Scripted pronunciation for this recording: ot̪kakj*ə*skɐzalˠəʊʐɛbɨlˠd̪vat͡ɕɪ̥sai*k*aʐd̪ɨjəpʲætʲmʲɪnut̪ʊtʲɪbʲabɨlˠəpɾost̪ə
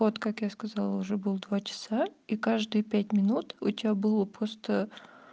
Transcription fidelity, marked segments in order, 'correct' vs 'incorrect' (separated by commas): incorrect, correct